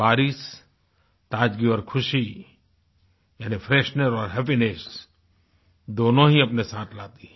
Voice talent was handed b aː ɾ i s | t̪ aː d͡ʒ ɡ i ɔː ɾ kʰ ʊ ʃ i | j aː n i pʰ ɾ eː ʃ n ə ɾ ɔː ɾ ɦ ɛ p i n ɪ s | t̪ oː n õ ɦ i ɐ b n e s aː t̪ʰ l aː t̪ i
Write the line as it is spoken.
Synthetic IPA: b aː ɾ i s | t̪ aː d͡ʒ ɡ i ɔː ɾ kʰ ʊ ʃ i | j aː n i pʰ ɾ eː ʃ n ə ɾ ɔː ɾ ɦ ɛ p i n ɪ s | d̪ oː n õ ɦ i ɐ p n e s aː t̪ʰ l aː t̪ i

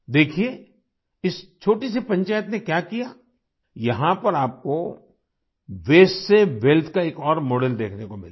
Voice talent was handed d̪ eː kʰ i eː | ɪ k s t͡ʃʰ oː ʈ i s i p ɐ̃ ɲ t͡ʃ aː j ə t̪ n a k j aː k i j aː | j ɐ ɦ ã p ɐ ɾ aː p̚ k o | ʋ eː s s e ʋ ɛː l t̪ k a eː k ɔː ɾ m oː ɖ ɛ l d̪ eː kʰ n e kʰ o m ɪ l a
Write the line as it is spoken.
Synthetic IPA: d̪ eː kʰ i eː | ɪ s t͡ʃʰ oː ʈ i s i p ɐ̃ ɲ t͡ʃ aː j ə t̪ n e k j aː k i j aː | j ɐ ɦ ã p ɐ ɾ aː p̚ k o | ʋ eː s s e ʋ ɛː l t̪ k a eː k ɔː ɾ m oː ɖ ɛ l d̪ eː kʰ n e k o m ɪ l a

